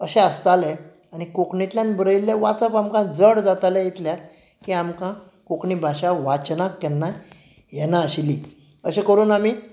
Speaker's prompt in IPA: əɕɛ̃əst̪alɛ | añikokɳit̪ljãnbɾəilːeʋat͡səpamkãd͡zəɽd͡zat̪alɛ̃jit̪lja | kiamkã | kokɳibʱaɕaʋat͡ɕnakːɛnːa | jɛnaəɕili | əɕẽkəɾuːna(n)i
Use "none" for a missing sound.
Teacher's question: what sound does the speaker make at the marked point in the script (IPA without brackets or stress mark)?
m